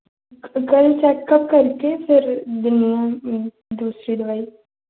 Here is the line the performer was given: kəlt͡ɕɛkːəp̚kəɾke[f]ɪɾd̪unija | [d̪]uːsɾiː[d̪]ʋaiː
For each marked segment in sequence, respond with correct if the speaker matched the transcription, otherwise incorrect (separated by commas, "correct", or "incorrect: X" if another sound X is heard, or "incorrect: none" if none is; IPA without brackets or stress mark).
correct, correct, correct